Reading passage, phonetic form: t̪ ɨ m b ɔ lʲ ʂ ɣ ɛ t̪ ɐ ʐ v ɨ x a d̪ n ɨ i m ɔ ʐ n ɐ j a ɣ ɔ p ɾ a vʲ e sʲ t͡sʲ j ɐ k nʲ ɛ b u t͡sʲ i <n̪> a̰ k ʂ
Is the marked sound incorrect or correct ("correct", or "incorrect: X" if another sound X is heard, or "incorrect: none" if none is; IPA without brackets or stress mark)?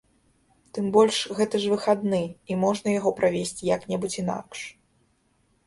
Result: correct